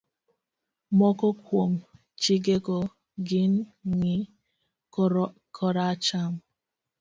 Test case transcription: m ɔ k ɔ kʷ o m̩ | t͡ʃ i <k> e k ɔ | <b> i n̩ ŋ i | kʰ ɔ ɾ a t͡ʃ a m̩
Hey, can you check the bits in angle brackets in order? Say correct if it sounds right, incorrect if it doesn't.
incorrect, incorrect

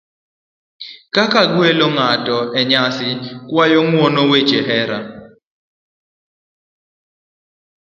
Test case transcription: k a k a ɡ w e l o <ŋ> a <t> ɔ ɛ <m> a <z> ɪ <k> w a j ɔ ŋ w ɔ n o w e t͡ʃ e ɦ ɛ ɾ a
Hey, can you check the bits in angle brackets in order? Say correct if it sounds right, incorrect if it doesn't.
correct, correct, incorrect, incorrect, correct

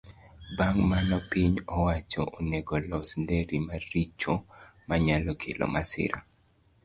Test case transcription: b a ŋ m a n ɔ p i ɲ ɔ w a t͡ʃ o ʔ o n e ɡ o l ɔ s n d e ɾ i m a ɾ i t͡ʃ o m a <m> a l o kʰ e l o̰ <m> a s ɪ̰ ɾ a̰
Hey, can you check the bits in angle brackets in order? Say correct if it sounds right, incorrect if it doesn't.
incorrect, correct

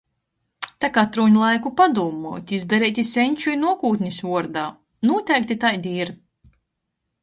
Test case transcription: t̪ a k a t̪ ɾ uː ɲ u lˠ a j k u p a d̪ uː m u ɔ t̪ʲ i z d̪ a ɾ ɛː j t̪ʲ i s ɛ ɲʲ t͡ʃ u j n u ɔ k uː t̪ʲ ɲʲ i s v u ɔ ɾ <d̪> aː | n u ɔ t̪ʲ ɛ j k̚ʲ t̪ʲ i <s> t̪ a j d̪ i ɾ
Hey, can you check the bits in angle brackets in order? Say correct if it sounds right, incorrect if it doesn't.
correct, incorrect

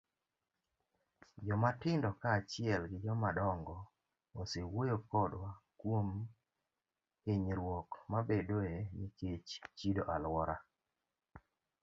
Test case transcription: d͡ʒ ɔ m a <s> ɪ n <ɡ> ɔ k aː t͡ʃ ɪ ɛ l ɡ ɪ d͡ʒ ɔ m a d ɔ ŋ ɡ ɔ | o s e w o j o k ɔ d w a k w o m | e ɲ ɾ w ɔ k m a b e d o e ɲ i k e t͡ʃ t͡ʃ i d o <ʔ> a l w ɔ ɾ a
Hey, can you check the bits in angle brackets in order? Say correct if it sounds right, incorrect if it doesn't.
incorrect, incorrect, correct

